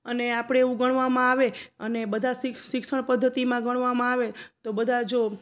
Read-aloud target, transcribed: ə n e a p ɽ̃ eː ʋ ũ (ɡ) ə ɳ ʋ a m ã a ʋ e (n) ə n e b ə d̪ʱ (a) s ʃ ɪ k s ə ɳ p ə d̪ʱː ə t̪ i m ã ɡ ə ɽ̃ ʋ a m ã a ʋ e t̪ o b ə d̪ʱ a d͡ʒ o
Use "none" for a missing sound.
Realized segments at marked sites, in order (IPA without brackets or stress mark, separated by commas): ɡ, none, a